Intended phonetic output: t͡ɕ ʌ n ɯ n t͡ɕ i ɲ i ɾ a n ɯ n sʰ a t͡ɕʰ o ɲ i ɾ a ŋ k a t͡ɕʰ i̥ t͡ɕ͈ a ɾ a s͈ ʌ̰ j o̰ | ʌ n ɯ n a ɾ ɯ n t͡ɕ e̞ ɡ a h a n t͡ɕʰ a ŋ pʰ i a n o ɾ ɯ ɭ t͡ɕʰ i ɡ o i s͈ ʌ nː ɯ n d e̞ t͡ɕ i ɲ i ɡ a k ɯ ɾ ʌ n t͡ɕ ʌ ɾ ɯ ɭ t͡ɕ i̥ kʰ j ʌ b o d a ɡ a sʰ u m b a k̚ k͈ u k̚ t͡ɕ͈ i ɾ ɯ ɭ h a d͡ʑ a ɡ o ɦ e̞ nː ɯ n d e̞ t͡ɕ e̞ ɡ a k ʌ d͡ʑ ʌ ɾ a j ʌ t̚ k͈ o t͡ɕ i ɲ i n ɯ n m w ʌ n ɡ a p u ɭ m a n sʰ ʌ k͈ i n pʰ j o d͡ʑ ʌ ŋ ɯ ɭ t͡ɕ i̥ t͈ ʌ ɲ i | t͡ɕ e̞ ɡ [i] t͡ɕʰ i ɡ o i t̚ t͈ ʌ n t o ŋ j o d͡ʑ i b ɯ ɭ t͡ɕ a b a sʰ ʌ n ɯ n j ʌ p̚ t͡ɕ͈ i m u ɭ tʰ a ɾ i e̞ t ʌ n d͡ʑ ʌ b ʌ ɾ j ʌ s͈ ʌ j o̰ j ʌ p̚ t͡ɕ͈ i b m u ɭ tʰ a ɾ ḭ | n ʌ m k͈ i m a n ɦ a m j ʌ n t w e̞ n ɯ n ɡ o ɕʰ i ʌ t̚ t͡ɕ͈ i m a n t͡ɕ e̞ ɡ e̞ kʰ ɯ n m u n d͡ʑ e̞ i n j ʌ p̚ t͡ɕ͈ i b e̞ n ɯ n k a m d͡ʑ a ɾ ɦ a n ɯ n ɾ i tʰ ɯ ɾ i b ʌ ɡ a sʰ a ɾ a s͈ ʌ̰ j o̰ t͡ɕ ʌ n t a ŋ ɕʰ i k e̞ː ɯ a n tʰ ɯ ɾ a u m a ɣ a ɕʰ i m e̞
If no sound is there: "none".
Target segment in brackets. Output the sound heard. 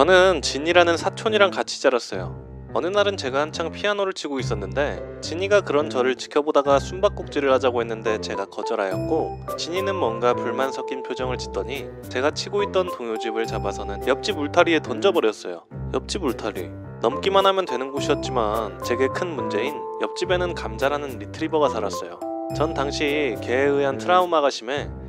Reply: a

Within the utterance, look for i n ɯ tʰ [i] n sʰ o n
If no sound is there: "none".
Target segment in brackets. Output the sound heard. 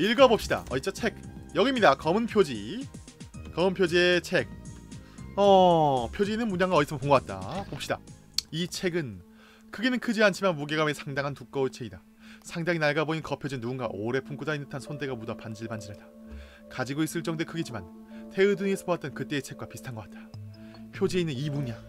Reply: a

